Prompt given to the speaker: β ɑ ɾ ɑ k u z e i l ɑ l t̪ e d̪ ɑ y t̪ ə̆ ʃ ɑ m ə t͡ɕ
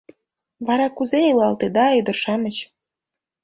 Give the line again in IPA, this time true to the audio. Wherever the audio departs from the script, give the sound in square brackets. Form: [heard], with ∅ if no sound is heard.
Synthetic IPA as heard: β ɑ ɾ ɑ k u z e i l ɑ l t̪ e d̪ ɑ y [d̪] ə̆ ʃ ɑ m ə t͡ɕ